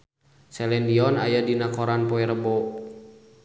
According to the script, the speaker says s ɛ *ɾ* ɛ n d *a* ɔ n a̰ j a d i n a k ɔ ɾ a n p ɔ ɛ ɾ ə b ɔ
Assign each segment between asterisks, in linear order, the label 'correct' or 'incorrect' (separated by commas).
incorrect, incorrect